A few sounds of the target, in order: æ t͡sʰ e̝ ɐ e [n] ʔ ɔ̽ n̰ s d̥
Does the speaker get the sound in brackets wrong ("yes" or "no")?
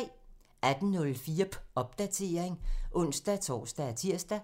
yes